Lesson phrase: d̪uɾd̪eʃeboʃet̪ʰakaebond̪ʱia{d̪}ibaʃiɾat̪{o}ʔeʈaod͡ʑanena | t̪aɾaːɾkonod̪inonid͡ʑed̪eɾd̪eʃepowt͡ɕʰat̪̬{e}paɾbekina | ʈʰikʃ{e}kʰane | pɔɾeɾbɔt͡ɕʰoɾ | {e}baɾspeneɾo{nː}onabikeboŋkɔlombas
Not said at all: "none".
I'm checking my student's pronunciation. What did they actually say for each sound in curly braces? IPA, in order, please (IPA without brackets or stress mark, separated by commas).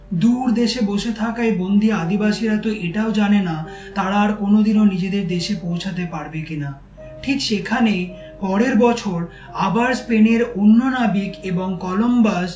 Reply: d̪, o, e, e, a, nː